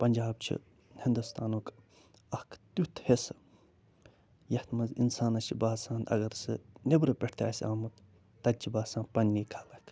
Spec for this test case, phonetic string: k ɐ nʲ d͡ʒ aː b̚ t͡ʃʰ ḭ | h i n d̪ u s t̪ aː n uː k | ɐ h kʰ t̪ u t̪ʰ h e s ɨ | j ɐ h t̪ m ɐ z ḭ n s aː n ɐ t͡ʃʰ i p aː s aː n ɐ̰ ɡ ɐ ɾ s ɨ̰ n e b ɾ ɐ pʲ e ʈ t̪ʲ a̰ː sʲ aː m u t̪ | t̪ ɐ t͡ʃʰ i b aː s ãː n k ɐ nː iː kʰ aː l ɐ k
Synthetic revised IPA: p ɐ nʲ d͡ʒ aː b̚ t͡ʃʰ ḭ | h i n d̪ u s t̪ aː n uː k | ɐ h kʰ t̪ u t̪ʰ h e s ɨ | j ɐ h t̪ m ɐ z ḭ n s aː n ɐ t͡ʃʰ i b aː s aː n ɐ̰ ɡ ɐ ɾ s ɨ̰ n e b ɾ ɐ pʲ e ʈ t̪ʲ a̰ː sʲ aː m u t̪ | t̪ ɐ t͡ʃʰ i b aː s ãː n p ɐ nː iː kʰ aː l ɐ k